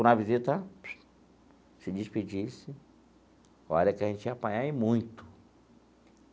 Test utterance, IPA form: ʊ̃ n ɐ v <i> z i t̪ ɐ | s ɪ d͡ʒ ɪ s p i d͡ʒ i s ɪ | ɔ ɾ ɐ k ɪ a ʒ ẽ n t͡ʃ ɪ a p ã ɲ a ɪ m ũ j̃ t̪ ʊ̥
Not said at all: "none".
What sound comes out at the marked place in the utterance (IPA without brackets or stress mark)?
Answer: i